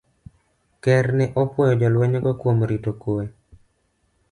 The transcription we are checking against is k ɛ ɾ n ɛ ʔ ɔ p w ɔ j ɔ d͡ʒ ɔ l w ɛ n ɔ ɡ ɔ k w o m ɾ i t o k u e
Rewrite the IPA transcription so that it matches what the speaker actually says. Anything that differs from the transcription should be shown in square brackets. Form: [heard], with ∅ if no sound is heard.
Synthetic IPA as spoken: k ɛ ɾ n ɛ ʔ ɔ p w ɔ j ɔ d͡ʒ ɔ l w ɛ [ɲ] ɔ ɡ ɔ k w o m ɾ i t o k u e

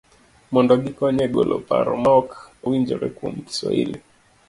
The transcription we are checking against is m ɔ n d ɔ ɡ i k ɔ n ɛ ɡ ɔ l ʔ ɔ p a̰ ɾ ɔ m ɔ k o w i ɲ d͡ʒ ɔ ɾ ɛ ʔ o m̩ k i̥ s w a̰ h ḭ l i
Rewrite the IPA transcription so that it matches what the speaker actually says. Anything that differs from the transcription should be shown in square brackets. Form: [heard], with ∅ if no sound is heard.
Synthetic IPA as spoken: m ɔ n d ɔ ɡ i k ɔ [ɲ] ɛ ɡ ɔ l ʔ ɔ p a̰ ɾ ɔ m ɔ k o w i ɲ d͡ʒ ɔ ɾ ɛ [k] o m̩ k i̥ s w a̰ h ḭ l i

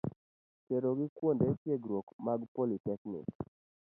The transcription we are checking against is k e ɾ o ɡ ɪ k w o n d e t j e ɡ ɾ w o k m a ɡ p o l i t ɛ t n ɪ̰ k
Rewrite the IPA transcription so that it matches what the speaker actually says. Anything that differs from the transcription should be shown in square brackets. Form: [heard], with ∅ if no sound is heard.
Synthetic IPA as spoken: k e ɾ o ɡ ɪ k w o n d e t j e ɡ ɾ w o k m a ɡ p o l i t ɛ [k] n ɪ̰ k

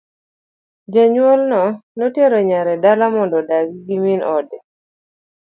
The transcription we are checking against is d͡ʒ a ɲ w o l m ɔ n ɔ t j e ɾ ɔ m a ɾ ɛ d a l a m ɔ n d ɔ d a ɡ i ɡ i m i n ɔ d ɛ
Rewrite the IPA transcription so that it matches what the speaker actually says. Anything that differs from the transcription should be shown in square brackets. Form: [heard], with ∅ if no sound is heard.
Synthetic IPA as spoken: d͡ʒ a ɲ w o l [n] ɔ n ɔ t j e ɾ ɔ [ɲ] a ɾ ɛ d a l a m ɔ n d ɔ d a ɡ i ɡ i m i n ɔ d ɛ

